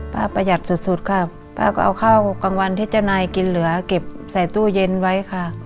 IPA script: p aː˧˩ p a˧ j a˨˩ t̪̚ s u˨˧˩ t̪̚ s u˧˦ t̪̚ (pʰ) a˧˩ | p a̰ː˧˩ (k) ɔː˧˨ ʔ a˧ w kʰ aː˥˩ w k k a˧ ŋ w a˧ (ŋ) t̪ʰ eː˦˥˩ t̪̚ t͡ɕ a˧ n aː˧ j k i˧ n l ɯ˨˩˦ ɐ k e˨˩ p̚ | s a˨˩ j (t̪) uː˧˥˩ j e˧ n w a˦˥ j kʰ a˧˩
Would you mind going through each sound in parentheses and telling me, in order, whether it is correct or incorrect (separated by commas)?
incorrect, correct, incorrect, correct